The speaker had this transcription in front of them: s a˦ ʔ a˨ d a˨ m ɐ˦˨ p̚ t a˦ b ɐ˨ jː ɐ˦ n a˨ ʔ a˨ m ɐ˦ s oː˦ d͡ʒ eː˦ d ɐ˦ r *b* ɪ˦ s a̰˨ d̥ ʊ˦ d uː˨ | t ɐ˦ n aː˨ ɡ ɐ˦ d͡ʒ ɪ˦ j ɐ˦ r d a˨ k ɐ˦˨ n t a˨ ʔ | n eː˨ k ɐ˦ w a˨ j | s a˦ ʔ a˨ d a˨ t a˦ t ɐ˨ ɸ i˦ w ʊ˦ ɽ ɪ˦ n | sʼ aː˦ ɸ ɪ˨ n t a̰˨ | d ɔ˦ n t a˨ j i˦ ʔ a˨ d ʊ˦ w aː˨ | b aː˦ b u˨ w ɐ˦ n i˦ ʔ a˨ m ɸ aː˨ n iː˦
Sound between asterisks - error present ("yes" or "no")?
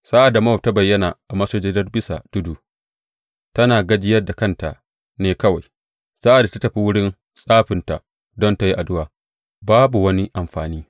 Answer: no